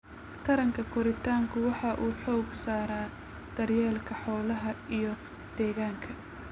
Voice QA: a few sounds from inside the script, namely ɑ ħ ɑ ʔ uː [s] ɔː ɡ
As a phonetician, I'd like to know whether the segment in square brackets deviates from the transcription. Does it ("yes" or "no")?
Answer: yes